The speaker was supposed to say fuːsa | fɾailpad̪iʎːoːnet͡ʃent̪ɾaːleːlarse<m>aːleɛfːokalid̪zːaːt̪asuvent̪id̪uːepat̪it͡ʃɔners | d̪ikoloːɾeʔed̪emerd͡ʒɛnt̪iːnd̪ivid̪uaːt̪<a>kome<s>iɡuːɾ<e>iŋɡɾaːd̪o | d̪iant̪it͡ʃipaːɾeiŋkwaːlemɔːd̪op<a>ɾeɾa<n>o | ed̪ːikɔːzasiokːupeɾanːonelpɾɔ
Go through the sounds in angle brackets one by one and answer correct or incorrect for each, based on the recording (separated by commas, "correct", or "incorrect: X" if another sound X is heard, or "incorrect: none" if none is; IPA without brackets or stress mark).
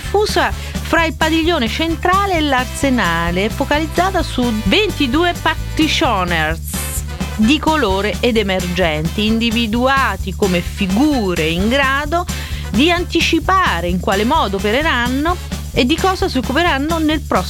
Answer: incorrect: n, incorrect: i, incorrect: f, correct, incorrect: e, incorrect: nː